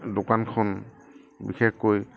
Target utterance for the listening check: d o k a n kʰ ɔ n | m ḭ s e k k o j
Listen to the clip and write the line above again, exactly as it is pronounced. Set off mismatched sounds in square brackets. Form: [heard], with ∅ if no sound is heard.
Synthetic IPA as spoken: d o k a n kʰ ɔ n | [b] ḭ [x] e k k o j